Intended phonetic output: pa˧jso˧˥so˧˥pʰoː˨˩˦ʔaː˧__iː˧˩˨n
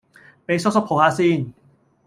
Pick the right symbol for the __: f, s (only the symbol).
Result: s